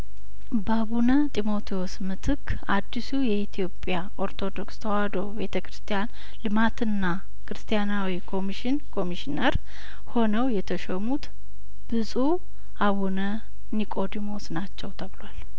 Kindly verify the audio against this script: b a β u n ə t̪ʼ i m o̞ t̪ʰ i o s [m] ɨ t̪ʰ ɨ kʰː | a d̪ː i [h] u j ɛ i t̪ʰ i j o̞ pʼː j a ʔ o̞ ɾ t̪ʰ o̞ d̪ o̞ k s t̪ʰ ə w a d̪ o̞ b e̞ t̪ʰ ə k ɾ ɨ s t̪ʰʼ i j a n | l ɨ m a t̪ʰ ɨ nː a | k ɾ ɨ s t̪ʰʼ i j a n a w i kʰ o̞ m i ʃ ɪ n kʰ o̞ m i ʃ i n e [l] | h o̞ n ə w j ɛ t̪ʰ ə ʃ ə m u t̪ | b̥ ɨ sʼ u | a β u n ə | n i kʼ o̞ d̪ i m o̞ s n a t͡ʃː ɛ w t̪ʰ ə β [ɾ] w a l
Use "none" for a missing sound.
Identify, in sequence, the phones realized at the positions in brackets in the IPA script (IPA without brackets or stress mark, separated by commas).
m, s, ɾ, l